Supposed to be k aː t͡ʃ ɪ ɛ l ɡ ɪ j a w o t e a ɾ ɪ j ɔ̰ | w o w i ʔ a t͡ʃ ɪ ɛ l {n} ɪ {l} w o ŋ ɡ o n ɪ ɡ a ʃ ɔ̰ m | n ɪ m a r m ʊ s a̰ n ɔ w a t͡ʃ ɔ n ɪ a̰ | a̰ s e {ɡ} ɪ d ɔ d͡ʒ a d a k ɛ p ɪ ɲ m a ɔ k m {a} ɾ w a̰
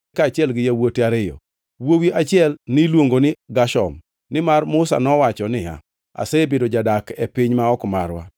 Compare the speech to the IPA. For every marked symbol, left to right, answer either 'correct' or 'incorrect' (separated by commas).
correct, correct, incorrect, correct